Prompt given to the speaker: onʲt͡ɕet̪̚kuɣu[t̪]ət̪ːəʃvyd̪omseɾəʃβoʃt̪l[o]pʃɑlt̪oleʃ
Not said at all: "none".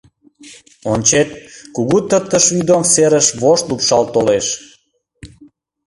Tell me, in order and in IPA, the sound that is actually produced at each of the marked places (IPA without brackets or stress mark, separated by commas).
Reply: t̪, u